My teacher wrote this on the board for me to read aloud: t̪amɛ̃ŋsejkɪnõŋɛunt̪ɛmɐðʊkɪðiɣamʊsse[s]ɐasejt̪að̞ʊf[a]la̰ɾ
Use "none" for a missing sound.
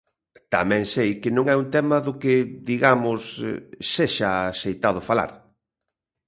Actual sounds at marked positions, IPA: ʃ, a

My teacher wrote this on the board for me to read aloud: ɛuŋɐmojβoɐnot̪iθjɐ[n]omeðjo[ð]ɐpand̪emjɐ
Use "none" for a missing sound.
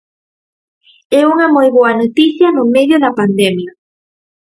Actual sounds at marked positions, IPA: n, ð

